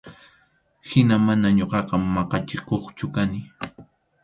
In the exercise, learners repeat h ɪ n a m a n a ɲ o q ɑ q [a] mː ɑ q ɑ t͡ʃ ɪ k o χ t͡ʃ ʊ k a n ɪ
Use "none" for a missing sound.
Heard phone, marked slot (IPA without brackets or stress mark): ɑ